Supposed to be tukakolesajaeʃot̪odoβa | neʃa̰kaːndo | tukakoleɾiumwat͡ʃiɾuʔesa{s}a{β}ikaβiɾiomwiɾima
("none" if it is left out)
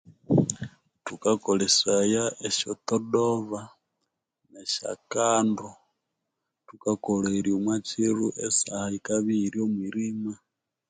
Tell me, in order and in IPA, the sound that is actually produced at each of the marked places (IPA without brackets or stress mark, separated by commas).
h, none